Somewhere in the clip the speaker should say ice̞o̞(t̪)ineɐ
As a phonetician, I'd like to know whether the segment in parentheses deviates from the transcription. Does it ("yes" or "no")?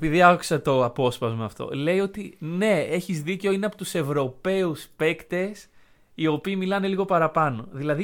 yes